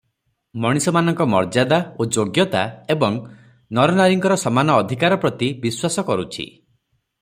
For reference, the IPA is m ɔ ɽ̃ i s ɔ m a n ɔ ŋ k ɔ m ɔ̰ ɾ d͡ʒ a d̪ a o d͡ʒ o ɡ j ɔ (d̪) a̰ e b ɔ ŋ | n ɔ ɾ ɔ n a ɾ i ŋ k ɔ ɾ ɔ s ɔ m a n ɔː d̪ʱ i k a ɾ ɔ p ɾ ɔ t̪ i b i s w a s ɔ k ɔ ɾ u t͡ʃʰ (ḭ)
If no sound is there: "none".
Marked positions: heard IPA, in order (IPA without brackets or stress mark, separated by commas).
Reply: t̪, ḭ